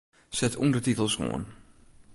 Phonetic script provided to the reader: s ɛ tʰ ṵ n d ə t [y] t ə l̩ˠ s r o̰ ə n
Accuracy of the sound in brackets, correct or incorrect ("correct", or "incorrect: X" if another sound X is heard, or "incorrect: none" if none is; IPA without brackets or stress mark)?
incorrect: i